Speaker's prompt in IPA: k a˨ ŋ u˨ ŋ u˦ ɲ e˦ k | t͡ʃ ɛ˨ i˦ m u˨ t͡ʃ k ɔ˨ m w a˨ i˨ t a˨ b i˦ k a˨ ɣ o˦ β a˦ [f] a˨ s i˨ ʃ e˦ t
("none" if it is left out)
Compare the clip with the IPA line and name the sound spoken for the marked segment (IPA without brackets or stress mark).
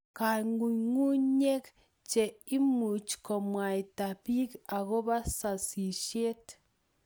s